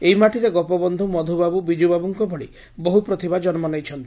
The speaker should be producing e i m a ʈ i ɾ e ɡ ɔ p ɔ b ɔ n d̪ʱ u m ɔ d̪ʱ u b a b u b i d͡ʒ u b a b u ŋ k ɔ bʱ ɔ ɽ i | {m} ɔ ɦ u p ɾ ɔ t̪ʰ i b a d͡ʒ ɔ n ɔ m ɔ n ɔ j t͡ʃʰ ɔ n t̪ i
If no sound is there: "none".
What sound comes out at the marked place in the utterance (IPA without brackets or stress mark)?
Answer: b